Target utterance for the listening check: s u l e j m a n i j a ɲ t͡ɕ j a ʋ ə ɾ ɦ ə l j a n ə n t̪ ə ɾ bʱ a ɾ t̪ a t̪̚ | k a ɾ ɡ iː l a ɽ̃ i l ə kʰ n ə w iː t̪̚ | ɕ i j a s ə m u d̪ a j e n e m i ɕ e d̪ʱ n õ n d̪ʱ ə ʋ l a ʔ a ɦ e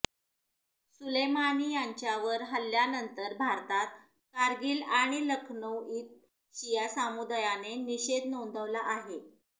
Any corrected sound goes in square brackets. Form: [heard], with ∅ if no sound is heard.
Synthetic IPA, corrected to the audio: s u l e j m a n i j a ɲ t͡ɕ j a ʋ ə ɾ ɦ ə l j a n ə n t̪ ə ɾ bʱ a ɾ t̪ a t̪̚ | k a ɾ ɡ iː l a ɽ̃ i l ə kʰ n ə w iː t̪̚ | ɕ i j a s [a] m u d̪ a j [a] n e [n] i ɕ e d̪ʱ n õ n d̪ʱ ə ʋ l a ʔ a ɦ e

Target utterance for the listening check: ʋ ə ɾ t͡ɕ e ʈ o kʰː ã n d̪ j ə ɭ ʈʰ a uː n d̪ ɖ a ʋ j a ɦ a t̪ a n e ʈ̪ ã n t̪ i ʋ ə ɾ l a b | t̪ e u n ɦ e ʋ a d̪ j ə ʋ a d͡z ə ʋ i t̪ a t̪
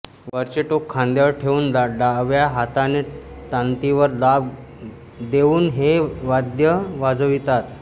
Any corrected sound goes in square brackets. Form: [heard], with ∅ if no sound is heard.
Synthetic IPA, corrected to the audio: ʋ ə ɾ t͡ɕ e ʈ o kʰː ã n d̪ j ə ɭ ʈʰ [e] uː n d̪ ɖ a ʋ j a ɦ a t̪ a n e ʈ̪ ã n t̪ i ʋ ə ɾ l a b | [d̪] e [uː] n ɦ e ʋ a d̪ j ə ʋ a d͡z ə ʋ i t̪ a t̪

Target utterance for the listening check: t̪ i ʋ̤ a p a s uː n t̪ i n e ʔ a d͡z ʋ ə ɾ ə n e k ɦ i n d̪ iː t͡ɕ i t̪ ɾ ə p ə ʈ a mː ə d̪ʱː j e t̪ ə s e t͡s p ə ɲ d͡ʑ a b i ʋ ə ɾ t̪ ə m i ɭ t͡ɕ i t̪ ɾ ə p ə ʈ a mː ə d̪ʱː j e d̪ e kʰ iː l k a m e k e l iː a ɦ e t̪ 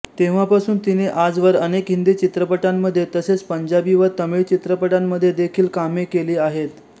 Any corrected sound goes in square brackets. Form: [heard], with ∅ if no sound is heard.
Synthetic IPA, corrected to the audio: t̪ [e] ʋ̤ a p a s uː n t̪ i n e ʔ a d͡z ʋ ə ɾ ə n e k ɦ i n d̪ iː t͡ɕ i t̪ ɾ ə p ə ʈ a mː ə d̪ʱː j e t̪ ə s e t͡s p ə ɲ d͡ʑ a b i ʋ ə ɾ t̪ ə m i ɭ t͡ɕ i t̪ ɾ ə p ə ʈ a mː ə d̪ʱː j e d̪ e kʰ iː l k a m e k e l iː a ɦ e t̪

